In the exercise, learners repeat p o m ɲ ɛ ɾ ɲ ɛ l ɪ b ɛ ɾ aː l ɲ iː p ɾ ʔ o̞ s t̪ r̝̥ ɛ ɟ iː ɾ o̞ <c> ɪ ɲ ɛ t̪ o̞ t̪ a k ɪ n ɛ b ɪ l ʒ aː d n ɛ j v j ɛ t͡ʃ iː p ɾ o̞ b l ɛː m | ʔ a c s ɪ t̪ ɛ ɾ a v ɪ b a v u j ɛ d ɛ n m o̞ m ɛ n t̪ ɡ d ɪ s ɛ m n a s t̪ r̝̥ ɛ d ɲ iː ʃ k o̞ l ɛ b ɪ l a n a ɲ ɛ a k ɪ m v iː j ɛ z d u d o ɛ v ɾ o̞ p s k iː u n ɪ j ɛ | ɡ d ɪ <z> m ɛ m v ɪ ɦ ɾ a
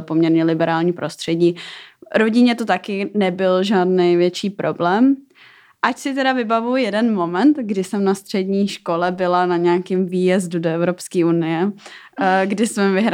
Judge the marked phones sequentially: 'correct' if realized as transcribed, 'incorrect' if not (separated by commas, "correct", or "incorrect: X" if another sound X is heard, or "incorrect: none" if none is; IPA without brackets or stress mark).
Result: incorrect: ɟ, incorrect: s